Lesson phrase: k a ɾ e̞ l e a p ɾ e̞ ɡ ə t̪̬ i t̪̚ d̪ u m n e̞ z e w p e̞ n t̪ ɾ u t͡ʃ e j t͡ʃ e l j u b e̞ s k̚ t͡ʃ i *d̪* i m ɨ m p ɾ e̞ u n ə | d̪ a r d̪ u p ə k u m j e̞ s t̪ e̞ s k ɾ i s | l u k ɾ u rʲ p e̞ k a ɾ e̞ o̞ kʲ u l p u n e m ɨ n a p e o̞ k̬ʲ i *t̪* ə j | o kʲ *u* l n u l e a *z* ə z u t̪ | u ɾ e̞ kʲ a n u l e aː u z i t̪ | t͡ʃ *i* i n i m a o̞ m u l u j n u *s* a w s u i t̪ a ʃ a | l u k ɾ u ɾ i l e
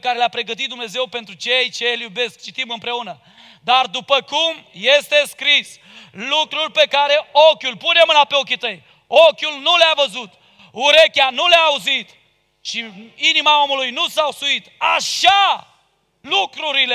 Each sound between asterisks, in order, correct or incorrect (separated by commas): incorrect, correct, correct, incorrect, correct, correct